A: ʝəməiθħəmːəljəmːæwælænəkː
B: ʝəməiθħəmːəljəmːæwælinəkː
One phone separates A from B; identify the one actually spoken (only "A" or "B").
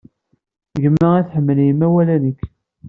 A